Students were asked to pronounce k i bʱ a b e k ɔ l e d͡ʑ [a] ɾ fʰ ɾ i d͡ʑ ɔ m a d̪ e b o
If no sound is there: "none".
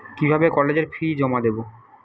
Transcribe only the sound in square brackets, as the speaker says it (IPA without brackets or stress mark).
e